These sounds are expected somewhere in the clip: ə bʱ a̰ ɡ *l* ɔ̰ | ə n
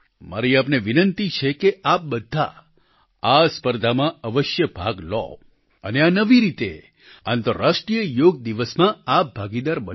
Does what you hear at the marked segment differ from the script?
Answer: no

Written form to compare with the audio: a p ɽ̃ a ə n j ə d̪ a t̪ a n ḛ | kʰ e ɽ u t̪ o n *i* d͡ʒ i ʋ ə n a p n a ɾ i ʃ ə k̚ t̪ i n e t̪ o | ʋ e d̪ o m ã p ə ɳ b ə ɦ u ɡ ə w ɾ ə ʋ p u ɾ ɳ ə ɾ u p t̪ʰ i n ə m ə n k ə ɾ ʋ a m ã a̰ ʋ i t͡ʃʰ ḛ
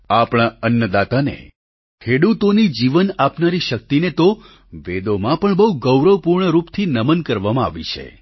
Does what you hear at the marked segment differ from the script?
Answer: no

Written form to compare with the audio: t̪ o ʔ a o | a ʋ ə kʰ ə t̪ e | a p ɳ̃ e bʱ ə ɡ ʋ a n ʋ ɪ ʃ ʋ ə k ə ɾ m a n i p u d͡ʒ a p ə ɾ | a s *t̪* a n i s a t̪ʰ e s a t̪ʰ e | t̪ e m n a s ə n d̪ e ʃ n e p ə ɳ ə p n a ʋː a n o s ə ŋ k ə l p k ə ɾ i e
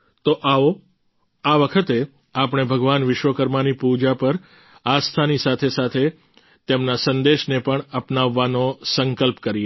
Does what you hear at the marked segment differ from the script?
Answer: yes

